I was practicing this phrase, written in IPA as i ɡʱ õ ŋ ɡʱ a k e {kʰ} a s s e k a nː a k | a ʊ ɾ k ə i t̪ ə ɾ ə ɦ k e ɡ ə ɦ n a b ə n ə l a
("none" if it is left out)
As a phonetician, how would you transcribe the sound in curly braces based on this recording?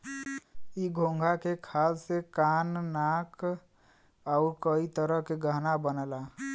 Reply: kʰ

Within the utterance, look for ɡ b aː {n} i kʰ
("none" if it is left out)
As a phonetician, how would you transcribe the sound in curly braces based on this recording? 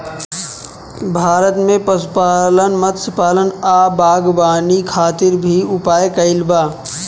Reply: n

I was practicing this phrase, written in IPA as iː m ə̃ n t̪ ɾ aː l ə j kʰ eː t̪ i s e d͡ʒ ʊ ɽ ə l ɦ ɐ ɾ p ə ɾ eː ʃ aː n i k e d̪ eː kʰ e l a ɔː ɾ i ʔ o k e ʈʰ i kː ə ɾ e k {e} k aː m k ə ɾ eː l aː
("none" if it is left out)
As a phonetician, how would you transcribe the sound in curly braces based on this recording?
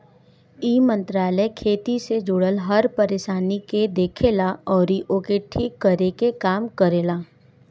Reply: e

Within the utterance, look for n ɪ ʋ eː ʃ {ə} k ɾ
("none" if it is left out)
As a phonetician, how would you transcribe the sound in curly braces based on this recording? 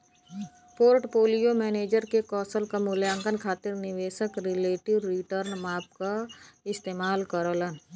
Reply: ə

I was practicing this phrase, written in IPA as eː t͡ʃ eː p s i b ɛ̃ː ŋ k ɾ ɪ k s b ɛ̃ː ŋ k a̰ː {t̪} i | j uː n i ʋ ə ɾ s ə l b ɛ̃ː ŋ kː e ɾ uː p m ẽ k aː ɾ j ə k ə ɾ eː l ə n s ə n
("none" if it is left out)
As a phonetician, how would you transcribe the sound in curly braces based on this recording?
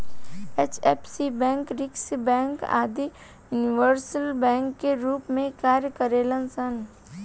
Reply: d̪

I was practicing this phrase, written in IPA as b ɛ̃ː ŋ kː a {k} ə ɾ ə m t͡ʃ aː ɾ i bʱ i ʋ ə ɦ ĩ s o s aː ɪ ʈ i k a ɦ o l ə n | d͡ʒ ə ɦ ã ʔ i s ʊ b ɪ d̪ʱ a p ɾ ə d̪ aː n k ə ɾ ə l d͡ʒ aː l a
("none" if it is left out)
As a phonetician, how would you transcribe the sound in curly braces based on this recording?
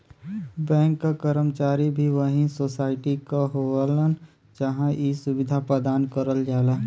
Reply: k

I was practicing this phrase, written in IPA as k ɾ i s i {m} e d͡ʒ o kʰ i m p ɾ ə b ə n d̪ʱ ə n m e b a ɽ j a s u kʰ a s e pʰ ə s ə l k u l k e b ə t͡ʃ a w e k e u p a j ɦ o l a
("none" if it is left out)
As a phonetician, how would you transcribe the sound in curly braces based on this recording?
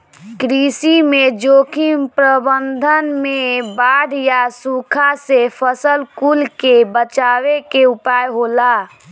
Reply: m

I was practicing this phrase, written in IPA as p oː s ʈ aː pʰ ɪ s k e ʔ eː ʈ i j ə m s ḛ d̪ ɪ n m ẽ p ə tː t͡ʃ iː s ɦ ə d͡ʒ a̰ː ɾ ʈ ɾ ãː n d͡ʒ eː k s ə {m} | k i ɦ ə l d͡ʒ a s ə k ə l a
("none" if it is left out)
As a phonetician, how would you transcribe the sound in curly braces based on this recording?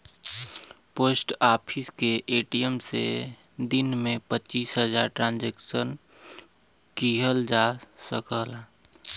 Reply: n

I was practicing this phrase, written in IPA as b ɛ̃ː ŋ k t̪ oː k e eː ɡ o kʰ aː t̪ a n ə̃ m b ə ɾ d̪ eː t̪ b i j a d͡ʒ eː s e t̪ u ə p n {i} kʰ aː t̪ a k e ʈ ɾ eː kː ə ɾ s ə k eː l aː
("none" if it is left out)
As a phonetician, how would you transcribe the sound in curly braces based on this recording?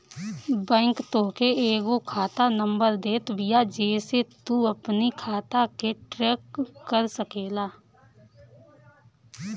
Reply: i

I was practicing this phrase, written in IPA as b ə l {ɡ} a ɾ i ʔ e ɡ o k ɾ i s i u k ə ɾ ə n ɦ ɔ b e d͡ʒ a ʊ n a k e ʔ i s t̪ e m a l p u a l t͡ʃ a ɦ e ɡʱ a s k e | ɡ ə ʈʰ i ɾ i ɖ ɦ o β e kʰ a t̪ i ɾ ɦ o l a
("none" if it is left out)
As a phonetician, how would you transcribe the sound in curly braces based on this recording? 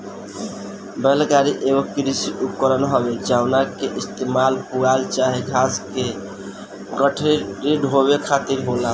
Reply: ɡ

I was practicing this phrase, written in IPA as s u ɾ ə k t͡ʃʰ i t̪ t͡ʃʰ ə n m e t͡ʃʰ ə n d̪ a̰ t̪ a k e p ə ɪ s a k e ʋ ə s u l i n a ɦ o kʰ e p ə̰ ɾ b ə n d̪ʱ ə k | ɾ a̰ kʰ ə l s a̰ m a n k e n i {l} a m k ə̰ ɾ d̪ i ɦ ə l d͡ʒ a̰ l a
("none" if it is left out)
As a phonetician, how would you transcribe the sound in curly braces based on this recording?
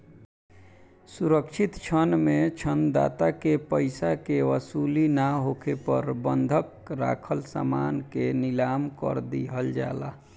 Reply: l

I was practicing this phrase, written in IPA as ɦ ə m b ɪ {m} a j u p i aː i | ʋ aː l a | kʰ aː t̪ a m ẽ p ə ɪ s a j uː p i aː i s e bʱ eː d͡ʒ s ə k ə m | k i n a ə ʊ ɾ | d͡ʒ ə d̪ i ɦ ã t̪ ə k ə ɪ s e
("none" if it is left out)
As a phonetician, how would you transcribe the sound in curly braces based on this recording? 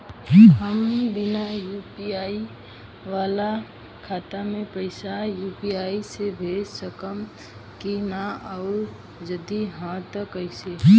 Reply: n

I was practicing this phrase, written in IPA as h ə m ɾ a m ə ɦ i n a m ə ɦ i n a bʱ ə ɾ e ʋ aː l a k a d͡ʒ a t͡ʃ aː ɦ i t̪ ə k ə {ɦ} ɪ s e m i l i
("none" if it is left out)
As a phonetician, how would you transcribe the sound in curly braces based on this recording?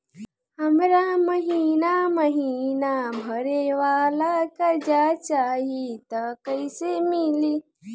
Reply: none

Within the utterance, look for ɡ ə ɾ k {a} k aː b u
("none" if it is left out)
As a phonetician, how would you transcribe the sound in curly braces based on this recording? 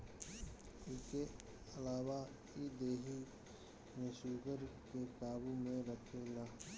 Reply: e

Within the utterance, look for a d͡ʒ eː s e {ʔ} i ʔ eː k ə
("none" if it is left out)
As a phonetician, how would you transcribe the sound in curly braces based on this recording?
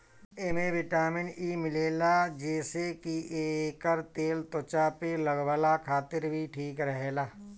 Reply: k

